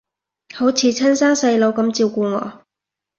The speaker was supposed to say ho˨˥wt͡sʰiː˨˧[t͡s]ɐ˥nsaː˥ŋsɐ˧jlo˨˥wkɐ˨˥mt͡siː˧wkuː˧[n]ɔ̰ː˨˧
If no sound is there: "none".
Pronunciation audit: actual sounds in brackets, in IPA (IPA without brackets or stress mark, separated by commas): t͡sʰ, ŋ